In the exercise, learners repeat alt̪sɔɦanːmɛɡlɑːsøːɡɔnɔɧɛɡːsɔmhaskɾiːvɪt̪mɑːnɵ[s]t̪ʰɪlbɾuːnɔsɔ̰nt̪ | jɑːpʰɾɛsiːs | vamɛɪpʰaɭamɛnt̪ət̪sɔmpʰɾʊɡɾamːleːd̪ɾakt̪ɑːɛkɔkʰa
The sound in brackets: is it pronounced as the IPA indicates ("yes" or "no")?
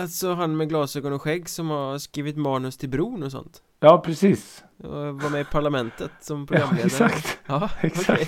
yes